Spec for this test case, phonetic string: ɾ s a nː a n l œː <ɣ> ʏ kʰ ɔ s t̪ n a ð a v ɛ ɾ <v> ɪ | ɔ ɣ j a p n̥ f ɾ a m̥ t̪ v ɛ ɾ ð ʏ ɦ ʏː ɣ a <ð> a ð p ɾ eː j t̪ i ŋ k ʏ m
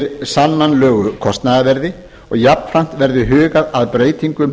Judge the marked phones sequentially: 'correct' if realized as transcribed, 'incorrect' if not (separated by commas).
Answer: correct, incorrect, correct